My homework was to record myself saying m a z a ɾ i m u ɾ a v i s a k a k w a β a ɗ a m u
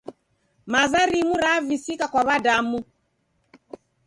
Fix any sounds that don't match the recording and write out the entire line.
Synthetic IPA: m a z a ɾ i m u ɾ a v i s i k a k w a β a d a m u